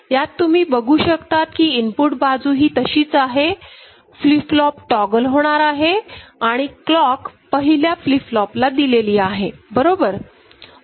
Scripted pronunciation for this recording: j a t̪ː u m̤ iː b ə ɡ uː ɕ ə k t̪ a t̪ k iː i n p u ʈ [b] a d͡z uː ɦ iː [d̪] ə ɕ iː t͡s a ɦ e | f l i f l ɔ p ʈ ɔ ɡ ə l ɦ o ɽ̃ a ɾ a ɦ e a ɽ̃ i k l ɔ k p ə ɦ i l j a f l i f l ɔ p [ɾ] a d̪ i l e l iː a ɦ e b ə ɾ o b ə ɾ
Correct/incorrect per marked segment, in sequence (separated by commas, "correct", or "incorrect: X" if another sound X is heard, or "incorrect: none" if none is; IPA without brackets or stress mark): correct, incorrect: t̪, incorrect: l